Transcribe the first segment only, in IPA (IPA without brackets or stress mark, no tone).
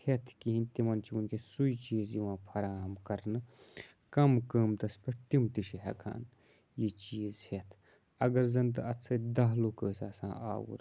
h